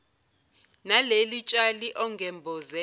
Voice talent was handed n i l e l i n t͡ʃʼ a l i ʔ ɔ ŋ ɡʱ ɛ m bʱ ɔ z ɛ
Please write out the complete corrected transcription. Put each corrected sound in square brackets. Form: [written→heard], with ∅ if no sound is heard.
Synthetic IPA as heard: n [i→a] l e l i [n→∅] t͡ʃʼ a l i ʔ ɔ ŋ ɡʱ ɛ m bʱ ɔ z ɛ